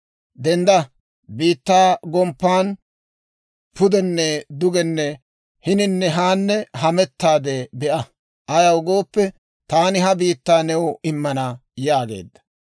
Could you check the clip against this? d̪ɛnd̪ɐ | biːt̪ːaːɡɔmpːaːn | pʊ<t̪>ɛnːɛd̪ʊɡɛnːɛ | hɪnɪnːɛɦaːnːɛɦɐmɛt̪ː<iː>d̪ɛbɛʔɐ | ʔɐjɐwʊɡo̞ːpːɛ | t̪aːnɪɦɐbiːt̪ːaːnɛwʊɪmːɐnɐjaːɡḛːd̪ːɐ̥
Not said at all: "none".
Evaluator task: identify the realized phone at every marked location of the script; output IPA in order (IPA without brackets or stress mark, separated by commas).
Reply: d̪, aː